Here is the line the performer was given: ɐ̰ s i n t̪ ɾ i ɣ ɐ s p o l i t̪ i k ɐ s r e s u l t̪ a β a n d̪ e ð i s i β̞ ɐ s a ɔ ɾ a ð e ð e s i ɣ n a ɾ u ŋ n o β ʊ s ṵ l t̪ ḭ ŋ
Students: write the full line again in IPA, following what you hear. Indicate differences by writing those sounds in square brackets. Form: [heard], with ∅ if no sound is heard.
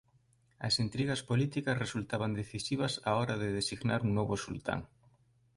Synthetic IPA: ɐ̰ s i n t̪ ɾ i ɣ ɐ s p o l i t̪ i k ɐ s r e s u l t̪ a β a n d̪ e [θ] i s i β̞ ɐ s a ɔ ɾ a ð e ð e s i ɣ n a ɾ u ŋ n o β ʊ s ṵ l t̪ [a̰] ŋ